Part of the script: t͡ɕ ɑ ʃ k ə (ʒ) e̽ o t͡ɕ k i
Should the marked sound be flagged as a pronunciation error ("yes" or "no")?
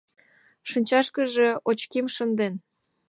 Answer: no